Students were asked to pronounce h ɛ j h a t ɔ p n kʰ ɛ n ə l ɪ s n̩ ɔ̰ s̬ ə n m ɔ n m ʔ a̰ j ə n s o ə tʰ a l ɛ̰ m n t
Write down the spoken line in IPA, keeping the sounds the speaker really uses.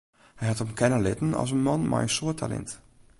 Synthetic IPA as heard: h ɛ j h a t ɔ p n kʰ ɛ n ə l ɪ t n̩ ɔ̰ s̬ ə n m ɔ n m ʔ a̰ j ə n s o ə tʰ a l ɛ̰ n t